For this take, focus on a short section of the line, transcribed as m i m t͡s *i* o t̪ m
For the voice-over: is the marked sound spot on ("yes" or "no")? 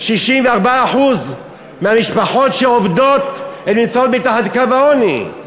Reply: no